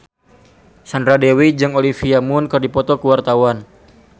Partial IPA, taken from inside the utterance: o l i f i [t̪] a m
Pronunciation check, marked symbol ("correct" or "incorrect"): incorrect